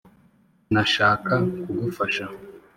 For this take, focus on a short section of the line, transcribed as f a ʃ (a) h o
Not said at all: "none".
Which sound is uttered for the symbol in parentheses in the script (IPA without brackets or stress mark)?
a